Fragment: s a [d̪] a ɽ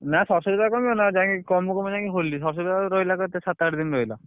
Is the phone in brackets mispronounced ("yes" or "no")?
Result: yes